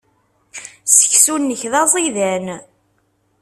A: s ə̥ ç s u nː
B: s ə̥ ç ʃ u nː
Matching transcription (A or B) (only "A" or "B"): A